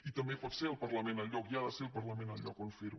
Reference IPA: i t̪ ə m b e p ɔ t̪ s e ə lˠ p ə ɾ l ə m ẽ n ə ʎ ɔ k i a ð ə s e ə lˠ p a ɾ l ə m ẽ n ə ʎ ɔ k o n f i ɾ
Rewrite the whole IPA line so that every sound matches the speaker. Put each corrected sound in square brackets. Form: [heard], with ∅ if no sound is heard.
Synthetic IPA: i t̪ ə m b e p ɔ t̪ s e ə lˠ p ə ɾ l ə m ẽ n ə ʎ ɔ k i a ð ə s e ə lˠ p [ə] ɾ l ə m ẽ n ə ʎ ɔ k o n f i ɾ